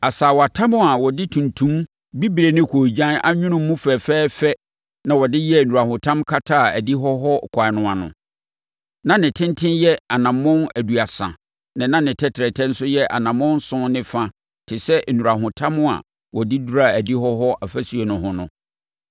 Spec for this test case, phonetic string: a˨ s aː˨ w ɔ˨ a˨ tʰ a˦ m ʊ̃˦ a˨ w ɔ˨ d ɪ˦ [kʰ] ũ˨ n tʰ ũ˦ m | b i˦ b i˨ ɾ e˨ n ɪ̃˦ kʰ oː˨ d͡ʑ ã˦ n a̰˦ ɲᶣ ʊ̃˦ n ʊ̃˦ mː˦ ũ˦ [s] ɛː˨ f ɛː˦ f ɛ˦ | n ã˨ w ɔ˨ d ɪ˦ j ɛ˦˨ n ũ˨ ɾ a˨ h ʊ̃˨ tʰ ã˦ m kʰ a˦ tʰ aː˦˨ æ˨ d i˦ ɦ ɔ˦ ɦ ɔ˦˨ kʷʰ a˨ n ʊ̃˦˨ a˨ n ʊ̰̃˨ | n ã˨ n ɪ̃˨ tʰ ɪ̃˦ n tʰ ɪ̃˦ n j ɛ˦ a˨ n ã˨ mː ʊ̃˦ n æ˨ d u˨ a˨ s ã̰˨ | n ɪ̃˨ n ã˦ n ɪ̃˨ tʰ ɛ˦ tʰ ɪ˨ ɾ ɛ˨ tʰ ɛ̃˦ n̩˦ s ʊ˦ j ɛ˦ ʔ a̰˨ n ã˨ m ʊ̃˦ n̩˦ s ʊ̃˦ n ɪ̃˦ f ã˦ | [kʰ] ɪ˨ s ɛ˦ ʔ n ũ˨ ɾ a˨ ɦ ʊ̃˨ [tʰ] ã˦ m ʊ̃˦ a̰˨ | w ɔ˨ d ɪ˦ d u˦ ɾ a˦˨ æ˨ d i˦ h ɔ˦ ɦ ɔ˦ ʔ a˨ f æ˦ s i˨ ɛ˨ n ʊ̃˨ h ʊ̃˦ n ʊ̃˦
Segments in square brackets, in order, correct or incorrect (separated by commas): incorrect, incorrect, incorrect, correct